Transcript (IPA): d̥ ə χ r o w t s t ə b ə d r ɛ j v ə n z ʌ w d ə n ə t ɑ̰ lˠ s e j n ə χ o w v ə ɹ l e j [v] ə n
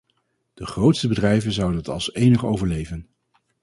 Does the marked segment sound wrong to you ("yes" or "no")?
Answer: no